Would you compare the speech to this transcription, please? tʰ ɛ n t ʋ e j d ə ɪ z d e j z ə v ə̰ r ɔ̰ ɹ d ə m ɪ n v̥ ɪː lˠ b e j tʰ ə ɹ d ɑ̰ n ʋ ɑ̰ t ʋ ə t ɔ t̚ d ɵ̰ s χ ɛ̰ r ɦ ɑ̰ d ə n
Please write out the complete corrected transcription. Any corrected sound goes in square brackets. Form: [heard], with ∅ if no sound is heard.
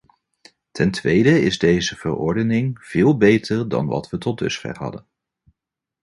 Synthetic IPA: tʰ ɛ n t ʋ e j d ə ɪ z d e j z ə v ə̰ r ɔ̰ ɹ d ə [n] ɪ [ŋ] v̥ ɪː lˠ b e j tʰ ə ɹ d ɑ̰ n ʋ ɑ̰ t ʋ ə t ɔ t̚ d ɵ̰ s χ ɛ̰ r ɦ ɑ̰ d ə n

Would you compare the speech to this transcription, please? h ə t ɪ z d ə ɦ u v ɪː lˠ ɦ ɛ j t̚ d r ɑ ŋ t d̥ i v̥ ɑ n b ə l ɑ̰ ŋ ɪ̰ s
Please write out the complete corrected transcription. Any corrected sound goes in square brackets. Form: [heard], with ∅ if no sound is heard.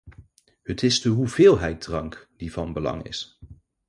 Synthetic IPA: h ə t ɪ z d ə ɦ u v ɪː lˠ ɦ ɛ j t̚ d r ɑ ŋ [k] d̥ i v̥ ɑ n b ə l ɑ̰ ŋ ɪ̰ s

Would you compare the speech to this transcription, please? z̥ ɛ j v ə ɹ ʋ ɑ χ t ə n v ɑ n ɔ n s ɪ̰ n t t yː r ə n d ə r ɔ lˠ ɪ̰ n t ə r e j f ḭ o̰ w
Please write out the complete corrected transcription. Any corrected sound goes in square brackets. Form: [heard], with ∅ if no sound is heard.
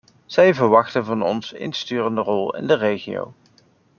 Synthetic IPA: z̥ ɛ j v ə ɹ ʋ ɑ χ t ə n v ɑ n ɔ n s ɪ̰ n [s] t yː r ə n d ə r ɔ lˠ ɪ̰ n [d] ə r e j [χ] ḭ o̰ w

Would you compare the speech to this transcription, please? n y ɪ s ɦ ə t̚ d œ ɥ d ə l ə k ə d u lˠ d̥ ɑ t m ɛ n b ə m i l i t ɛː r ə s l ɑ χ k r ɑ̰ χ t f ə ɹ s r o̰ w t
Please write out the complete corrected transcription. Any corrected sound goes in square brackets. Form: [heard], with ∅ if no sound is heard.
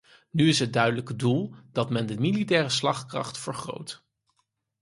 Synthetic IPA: n y ɪ s ɦ ə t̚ d œ ɥ d ə l ə k ə d u lˠ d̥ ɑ t m ɛ n [d] ə m i l i t ɛː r ə s l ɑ χ k r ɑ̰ χ t f ə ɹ [χ] r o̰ w t

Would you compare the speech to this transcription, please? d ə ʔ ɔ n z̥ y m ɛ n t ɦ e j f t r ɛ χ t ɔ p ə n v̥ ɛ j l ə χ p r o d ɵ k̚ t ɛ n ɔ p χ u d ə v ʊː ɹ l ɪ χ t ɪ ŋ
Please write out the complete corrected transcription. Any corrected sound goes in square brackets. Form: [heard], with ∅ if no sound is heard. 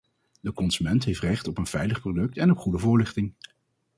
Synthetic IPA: d ə [k] ɔ n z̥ y m ɛ n t ɦ e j f t r ɛ χ t ɔ p ə n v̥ ɛ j l ə χ p r o d ɵ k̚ t ɛ n ɔ p χ u d ə v ʊː ɹ l ɪ χ t ɪ ŋ

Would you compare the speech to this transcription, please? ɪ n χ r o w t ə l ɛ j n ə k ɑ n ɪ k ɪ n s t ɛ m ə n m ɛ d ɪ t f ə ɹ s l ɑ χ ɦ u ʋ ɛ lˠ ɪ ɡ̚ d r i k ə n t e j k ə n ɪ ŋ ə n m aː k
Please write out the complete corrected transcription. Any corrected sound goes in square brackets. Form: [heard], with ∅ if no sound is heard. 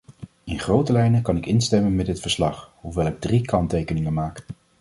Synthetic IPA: ɪ n χ r o w t ə l ɛ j n ə k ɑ n ɪ k ɪ n s t ɛ m ə n m ɛ d ɪ t f ə ɹ s l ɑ χ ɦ u ʋ ɛ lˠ ɪ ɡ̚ d r i k [ɑ] n t e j k ə n ɪ ŋ ə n m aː k

